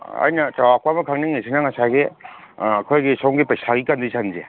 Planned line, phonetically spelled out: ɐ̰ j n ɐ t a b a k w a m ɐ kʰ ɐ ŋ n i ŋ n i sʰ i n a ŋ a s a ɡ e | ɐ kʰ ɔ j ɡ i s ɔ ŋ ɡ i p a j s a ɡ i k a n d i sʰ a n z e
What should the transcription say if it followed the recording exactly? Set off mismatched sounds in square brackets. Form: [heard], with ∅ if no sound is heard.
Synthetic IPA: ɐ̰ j n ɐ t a [w] a k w a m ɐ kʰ [a] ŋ n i ŋ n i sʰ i n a ŋ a s a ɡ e | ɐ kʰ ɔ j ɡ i s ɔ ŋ ɡ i p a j s a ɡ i k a n d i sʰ a n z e